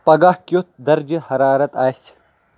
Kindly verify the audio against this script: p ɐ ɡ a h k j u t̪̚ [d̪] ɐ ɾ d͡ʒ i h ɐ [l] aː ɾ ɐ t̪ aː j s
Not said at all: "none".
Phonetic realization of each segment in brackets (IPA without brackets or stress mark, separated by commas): d̪, ɾ